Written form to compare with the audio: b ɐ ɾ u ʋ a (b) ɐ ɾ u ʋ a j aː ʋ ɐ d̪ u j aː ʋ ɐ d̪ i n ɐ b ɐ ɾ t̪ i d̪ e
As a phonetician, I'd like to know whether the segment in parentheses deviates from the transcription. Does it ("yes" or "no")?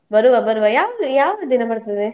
no